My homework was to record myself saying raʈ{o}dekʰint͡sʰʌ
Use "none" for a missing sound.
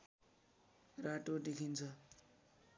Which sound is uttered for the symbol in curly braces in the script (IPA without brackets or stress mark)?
o